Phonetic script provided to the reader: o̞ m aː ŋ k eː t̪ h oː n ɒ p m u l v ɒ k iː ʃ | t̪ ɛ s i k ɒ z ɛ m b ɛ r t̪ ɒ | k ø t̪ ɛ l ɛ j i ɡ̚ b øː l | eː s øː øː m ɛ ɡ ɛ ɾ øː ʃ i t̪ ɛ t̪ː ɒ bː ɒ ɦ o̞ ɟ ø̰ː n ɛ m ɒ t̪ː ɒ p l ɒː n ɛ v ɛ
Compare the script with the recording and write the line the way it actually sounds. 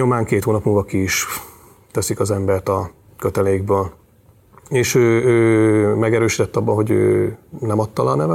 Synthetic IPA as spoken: o̞ m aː ŋ k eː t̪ h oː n ɒ p m u l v ɒ k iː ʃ | t̪ ɛ s i k ɒ z ɛ m b ɛ r t̪ ɒ | k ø t̪ ɛ l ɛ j i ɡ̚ b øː l | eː ʃ øː øː m ɛ ɡ ɛ ɾ øː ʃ i t̪ ɛ t̪ː ɒ bː ɒ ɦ o̞ ɟ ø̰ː n ɛ m ɒ t̪ː ɒ l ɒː n ɛ v ɛ